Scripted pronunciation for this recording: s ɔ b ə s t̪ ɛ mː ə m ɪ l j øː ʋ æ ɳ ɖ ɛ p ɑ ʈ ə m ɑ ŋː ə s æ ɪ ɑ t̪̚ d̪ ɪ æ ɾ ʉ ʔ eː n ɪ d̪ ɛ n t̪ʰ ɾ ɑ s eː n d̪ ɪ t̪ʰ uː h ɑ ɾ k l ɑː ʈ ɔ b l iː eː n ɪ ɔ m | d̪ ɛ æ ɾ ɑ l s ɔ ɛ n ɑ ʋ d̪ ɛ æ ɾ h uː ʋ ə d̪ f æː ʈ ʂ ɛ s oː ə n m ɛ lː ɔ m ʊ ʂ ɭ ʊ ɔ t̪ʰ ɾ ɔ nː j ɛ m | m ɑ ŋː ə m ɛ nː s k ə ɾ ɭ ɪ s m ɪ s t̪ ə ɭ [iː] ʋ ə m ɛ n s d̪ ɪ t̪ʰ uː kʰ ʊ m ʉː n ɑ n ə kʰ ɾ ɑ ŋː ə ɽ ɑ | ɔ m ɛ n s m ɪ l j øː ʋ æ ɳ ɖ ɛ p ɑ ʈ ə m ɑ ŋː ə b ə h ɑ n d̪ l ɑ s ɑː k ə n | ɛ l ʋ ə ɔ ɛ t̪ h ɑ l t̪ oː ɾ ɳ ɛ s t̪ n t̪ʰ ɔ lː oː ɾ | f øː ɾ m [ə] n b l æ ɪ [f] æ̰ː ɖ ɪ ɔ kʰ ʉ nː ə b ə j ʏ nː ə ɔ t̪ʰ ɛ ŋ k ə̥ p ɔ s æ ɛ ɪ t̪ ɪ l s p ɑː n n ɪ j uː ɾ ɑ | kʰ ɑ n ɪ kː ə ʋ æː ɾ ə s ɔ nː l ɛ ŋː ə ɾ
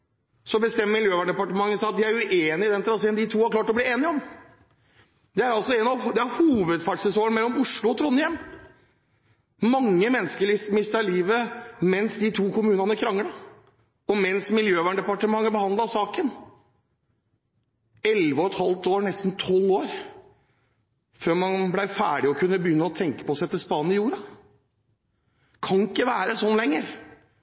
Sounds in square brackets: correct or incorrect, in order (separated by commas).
correct, incorrect, correct